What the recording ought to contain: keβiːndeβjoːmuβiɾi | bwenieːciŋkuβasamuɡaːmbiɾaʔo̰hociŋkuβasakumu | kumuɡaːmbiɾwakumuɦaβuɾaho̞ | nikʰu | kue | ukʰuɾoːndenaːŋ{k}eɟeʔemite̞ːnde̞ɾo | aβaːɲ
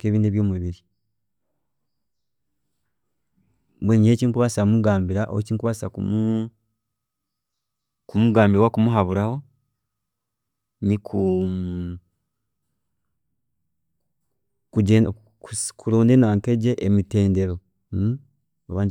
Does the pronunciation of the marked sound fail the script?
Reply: no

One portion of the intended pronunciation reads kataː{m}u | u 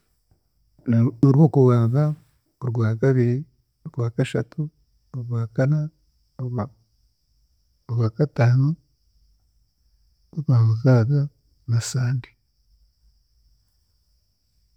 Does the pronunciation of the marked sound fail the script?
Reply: yes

